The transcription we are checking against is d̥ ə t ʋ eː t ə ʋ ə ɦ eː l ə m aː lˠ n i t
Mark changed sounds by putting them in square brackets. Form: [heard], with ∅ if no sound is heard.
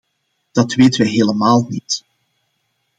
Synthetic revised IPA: d̥ [ɑ] t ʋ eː t ə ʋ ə ɦ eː l ə m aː lˠ n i t